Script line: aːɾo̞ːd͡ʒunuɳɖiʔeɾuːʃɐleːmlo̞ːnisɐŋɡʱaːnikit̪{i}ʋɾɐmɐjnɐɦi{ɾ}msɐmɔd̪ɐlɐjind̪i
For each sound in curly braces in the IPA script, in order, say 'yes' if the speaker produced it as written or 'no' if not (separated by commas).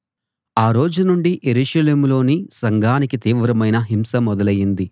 no, no